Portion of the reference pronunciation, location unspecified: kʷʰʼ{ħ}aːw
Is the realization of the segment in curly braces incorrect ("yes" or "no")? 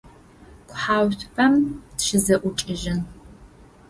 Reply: no